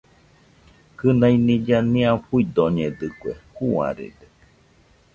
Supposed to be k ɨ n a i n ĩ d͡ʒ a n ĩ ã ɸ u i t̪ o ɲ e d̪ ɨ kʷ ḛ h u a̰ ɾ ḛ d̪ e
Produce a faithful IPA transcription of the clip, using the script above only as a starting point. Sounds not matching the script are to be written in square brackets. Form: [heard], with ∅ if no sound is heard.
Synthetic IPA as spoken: k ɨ n a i n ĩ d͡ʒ a n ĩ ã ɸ u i [d̪] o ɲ e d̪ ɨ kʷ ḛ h u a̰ ɾ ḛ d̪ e